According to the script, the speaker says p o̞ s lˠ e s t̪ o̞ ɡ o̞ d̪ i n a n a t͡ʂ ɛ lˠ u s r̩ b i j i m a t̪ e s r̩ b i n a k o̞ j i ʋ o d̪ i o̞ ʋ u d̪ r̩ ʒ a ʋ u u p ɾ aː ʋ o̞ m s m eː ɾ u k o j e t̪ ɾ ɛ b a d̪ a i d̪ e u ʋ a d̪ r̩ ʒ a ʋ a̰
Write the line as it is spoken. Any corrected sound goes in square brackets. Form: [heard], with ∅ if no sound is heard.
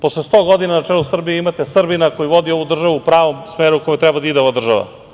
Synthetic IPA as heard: p o̞ s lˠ e s t̪ o̞ ɡ o̞ d̪ i n a n a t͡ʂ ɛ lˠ u s r̩ b i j i m a t̪ e s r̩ b i n a k o̞ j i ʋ o d̪ i o̞ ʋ u d̪ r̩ ʒ a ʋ u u p ɾ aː ʋ o̞ m s m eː ɾ u k o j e t̪ ɾ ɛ b a d̪ a i d̪ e [o] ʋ a d̪ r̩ ʒ a ʋ a̰